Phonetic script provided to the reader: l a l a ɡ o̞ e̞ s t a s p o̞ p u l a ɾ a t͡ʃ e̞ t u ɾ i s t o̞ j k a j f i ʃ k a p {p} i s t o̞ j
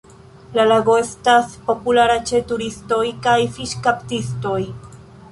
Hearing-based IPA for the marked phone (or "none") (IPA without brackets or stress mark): t